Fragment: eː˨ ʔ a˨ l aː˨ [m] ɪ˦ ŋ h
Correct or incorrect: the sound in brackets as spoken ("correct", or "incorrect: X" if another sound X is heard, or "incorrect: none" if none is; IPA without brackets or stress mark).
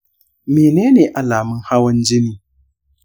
correct